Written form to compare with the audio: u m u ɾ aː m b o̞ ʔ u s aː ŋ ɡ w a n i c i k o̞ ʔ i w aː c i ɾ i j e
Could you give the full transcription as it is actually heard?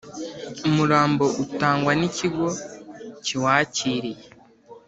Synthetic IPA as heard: u m u ɾ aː m b o̞ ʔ u t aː ŋ ɡ w a n i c i ɡ o̞ c i w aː c i ɾ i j e